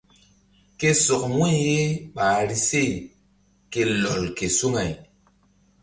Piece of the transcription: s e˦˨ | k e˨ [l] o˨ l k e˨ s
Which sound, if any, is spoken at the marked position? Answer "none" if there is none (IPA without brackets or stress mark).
l